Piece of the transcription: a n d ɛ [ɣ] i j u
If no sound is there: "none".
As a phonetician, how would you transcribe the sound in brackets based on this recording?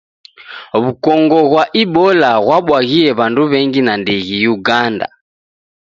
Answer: ɣ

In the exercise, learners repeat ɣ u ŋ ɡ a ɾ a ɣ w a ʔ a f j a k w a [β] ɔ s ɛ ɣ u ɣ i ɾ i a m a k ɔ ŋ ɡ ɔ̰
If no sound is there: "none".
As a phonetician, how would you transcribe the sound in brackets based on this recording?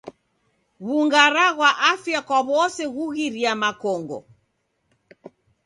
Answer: β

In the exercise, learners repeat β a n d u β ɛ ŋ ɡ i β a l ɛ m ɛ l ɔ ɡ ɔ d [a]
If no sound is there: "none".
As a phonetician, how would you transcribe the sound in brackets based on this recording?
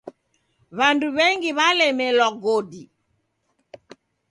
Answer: i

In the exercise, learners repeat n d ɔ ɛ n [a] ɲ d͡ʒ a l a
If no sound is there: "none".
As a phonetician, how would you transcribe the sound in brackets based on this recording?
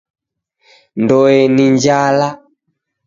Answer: i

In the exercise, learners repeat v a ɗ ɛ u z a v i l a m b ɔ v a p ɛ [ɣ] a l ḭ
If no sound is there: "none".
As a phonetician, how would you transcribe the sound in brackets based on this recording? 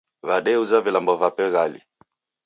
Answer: ɣ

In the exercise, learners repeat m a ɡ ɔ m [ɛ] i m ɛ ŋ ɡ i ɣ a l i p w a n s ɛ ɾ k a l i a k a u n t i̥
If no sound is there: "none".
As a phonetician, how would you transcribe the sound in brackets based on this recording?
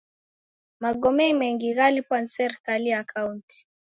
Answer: ɛ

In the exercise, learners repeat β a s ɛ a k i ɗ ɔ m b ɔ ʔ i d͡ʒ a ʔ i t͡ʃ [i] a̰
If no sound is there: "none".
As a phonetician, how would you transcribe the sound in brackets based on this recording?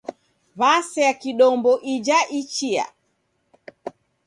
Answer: i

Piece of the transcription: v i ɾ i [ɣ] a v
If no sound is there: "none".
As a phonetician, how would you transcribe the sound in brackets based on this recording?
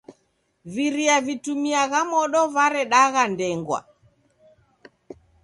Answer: none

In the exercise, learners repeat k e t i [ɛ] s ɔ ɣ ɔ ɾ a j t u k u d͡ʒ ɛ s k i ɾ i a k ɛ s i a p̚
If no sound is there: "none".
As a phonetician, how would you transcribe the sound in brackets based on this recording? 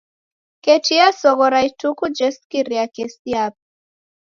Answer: a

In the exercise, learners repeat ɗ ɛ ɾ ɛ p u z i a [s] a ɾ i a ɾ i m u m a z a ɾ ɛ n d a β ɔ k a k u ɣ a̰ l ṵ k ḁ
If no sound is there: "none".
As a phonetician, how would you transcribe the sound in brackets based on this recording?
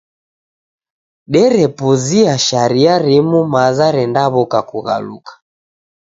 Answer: ʃ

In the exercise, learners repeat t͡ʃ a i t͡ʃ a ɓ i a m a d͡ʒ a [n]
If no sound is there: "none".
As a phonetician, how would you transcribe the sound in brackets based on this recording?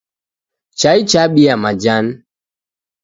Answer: n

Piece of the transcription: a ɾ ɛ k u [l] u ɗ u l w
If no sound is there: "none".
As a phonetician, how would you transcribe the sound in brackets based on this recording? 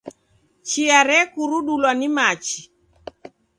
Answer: ɾ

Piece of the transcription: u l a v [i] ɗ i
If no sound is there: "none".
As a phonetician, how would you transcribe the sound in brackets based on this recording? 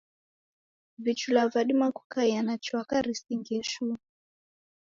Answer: a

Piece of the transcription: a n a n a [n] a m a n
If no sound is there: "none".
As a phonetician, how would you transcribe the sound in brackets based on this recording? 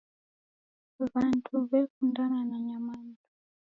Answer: ɲ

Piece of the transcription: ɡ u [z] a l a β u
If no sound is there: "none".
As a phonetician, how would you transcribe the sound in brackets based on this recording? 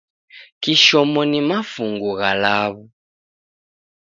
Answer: ɣ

